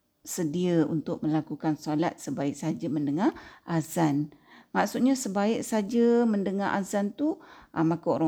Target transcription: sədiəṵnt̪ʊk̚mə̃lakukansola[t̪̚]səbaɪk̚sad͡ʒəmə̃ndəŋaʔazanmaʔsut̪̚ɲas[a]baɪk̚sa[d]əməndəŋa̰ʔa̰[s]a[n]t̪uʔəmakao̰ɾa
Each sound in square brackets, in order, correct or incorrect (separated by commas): correct, incorrect, incorrect, incorrect, correct